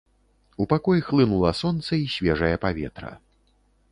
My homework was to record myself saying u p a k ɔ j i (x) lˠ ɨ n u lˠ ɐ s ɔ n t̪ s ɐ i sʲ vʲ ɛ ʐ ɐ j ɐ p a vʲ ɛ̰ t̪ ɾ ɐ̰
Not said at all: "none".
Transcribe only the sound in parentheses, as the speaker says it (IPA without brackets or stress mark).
x